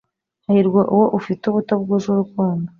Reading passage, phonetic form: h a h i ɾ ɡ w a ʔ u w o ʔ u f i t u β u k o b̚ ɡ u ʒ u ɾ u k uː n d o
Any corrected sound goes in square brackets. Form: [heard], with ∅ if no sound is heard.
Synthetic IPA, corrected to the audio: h a h i ɾ ɡ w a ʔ u w o ʔ u f i t u β u [t] o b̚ ɡ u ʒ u ɾ u k uː n d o